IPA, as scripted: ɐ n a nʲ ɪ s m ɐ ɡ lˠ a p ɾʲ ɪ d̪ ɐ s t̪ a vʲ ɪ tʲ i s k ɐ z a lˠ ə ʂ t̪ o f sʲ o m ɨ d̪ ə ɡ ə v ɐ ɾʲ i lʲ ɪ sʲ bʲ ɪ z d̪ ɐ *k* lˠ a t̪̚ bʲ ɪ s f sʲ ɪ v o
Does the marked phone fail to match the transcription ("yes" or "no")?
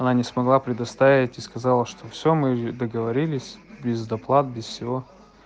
yes